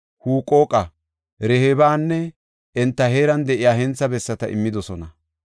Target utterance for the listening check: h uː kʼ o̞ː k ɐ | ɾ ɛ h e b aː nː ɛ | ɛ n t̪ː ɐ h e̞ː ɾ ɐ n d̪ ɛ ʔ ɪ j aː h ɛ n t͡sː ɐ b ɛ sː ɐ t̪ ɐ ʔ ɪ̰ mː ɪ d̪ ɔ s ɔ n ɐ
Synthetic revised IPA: h uː kʼ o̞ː kʼ ɐ | ɾ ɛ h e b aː nː ɛ | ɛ n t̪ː ɐ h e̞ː ɾ ɐ n d̪ ɛ ʔ ɪ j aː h ɛ n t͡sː ɐ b ɛ sː ɐ t̪ ɐ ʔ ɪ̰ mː ɪ d̪ ɔ s ɔ n ɐ